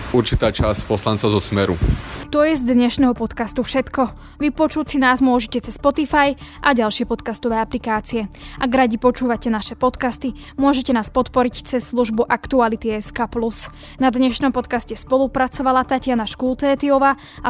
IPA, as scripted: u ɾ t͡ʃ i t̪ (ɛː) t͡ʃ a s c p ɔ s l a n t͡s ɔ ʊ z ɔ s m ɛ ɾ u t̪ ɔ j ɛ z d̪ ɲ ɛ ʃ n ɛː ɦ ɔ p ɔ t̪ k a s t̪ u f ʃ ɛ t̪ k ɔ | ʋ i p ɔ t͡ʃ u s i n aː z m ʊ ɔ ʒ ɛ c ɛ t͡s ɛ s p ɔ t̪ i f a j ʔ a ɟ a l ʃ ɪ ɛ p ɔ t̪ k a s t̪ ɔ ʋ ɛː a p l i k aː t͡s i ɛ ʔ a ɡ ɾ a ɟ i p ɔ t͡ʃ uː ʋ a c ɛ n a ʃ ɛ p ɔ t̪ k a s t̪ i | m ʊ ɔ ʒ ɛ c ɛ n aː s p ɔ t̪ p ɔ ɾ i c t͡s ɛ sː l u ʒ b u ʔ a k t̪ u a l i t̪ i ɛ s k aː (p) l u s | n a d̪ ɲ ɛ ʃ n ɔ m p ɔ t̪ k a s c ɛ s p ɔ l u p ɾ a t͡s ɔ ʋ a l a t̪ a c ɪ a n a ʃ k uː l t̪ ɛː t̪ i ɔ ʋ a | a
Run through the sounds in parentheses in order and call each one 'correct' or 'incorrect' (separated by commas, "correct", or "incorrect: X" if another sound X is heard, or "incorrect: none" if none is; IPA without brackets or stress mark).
incorrect: aː, correct